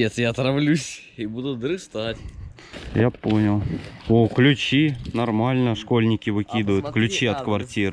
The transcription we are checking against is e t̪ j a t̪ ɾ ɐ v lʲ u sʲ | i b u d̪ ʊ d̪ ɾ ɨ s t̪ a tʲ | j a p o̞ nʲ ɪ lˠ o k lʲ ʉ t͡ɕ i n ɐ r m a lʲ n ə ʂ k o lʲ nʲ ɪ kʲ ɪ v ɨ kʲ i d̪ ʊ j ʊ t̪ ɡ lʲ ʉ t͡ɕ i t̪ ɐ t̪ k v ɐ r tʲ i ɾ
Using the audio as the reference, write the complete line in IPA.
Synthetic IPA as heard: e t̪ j a t̪ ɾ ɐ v lʲ u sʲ | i b u d̪ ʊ d̪ ɾ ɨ s t̪ a tʲ | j a p o̞ nʲ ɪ lˠ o k lʲ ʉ t͡ɕ i n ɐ r m a lʲ n ə ʂ k o lʲ nʲ ɪ kʲ ɪ v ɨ kʲ i d̪ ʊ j ʊ t̪ k lʲ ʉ t͡ɕ i ɐ t̪ k v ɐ r tʲ i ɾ

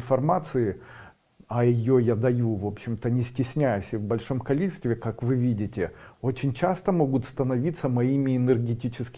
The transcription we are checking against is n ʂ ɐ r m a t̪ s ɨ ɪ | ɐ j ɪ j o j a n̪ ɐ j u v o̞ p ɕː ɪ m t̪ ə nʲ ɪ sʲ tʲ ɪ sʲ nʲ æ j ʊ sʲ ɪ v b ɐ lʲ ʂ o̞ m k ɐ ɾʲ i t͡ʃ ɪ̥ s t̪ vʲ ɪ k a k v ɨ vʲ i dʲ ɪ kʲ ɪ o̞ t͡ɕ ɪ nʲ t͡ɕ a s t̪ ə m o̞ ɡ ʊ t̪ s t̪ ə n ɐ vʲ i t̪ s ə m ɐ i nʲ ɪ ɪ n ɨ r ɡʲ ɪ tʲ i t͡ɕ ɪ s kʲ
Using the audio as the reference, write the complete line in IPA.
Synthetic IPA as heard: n f ɐ r m a t̪ s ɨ ɪ | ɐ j ɪ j o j a d̪ ɐ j u v o̞ p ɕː ɪ m t̪ ə nʲ ɪ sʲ tʲ ɪ sʲ nʲ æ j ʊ sʲ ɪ v b ɐ lʲ ʂ o̞ m k ɐ lʲ i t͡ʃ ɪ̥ s t̪ vʲ ɪ k a k v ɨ vʲ i dʲ ɪ tʲ ɪ o̞ t͡ɕ ɪ nʲ t͡ɕ a s t̪ ə m o̞ ɡ ʊ t̪ s t̪ ə n ɐ vʲ i t̪ s ə m ɐ i mʲ ɪ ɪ n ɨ r ɡʲ ɪ tʲ i t͡ɕ ɪ s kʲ

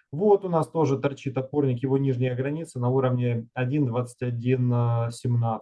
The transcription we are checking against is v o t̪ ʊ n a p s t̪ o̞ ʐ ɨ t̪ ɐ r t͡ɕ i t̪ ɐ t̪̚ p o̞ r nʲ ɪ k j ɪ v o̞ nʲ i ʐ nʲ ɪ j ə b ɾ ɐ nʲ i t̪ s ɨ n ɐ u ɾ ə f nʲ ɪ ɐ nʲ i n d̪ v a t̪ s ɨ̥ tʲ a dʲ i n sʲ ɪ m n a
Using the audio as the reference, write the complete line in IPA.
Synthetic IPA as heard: v o t̪ ʊ n a s t̪ o̞ ʐ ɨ t̪ ɐ r t͡ɕ i t̪ ɐ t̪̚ p o̞ r nʲ ɪ k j ɪ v o̞ nʲ i ʐ nʲ ɪ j ə ɡ ɾ ɐ nʲ i t̪ s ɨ n ɐ u ɾ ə v nʲ ɪ ɐ dʲ i n d̪ v a t̪ s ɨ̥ tʲ ɐ dʲ i n sʲ ɪ m n a

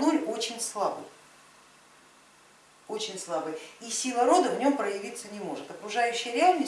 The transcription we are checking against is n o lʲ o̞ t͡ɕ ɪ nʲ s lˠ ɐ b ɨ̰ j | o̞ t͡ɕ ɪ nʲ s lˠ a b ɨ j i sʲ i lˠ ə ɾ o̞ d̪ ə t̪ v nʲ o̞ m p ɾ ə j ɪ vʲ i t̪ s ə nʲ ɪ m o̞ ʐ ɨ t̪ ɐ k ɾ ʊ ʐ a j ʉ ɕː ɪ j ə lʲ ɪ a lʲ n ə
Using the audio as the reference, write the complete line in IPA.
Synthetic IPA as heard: n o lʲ o̞ t͡ɕ ɪ nʲ s lˠ a b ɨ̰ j | o̞ t͡ɕ ɪ nʲ s lˠ a b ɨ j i sʲ i lˠ ə ɾ o̞ d̪ ə v nʲ o̞ m p ɾ ə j ɪ vʲ i t̪ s ə nʲ ɪ m o̞ ʐ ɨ t̪ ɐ k ɾ ʊ ʐ a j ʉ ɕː ɪ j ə ɾʲ ɪ a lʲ n ə

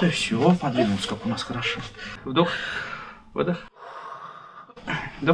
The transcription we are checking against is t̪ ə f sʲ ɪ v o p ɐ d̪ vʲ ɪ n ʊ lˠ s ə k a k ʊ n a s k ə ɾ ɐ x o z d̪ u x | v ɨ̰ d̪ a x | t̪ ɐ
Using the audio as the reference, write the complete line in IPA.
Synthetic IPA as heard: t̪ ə f sʲ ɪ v o p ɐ d̪ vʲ i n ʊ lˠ s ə k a k ʊ n a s x ə ɾ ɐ ʂ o v d̪ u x | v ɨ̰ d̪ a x | d̪ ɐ

